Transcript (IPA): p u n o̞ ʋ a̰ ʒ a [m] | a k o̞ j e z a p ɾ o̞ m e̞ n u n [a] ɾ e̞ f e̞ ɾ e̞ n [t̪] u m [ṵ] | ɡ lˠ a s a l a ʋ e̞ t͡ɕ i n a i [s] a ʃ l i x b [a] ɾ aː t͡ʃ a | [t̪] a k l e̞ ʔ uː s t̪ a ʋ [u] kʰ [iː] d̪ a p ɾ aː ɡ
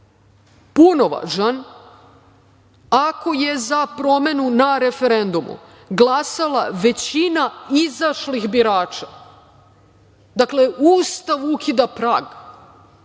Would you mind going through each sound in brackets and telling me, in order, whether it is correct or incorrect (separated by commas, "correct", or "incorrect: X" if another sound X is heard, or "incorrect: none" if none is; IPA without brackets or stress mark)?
incorrect: n, correct, incorrect: d̪, correct, incorrect: z, incorrect: i, incorrect: d̪, correct, incorrect: i